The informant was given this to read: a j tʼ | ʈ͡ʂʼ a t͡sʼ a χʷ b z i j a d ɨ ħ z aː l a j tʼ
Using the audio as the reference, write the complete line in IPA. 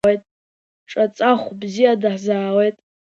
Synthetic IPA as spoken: e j tʼ | ʈ͡ʂʼ a t͡sʼ a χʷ b z i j a d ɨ ħ z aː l e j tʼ